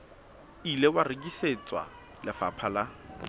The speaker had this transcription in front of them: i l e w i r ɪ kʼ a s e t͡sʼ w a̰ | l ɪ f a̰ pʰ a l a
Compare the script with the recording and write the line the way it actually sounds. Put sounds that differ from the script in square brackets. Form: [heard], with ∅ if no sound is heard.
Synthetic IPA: i l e w [a] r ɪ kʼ [i] s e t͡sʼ w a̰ | l ɪ f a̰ pʰ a l a